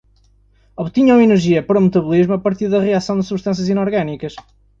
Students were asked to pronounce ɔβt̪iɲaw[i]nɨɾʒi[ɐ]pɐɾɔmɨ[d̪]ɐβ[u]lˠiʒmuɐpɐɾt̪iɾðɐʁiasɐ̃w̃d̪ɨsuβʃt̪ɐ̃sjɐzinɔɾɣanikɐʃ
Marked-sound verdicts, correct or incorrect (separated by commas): correct, correct, incorrect, correct